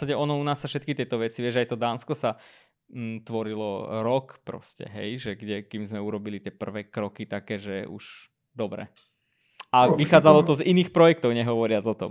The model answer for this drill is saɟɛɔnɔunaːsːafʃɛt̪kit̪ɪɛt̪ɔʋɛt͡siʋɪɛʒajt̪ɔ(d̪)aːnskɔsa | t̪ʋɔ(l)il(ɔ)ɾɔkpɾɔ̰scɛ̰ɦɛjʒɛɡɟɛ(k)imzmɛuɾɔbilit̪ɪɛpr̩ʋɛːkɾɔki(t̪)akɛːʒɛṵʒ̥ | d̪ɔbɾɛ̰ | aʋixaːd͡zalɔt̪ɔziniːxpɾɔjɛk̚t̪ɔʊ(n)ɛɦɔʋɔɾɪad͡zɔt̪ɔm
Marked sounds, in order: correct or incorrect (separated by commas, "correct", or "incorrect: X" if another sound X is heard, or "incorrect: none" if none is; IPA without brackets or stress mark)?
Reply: correct, incorrect: ɾ, correct, correct, correct, incorrect: ɲ